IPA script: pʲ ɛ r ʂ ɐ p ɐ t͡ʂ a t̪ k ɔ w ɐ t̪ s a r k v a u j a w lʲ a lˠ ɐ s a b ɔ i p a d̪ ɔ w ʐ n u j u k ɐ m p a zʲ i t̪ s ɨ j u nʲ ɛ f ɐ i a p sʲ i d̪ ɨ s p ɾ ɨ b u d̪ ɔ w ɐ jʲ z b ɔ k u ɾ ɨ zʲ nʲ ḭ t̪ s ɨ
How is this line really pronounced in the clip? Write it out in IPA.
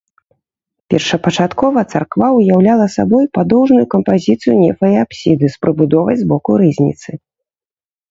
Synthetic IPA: pʲ ɛ r ʂ ɐ p ɐ t͡ʂ a t̪ k ɔ v ɐ t̪ s a r k v a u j a w lʲ a lˠ ɐ s a b ɔ j p a d̪ ɔ w ʐ n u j u k ɐ m p a zʲ i t̪ s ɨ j u nʲ ɛ f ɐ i a p sʲ i d̪ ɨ s p ɾ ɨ b u d̪ ɔ v ɐ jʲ z b ɔ k u ɾ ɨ zʲ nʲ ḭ t̪ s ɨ